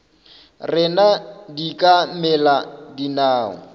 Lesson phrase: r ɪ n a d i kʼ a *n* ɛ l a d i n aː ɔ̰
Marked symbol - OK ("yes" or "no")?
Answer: no